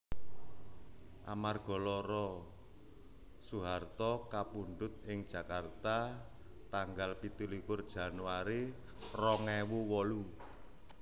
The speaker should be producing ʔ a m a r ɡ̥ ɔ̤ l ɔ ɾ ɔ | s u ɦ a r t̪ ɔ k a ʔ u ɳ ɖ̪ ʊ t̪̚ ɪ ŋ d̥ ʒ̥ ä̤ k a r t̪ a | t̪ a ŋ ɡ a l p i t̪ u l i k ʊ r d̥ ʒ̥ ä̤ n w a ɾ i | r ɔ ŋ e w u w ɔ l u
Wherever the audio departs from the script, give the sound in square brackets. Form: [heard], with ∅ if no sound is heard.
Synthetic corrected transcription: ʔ a m a r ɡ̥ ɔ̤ l ɔ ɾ ɔ | s u ɦ a r t̪ ɔ k a [p] u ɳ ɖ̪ ʊ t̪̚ ɪ ŋ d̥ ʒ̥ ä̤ k a r t̪ a | t̪ a ŋ ɡ a l p i t̪ u l i k ʊ r d̥ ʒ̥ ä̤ n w a ɾ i | r ɔ ŋ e w u w ɔ l u